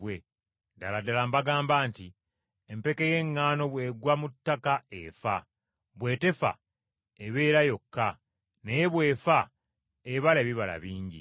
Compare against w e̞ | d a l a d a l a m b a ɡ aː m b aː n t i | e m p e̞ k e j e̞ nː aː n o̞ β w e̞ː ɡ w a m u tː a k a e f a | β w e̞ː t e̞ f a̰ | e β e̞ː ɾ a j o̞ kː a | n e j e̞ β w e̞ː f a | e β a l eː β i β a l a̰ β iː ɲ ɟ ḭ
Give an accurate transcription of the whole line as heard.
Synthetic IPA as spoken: w e̞ | d a l a d a l a m b a ɡ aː m b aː n t i | e m p e̞ k e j e̞ ŋː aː n o̞ β w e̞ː ɡ w a m u tː a k a e f a | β w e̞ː t e̞ f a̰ | e β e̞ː ɾ a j o̞ kː a | n e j e̞ β w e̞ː f a | e β a l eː β i β a l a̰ β iː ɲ ɟ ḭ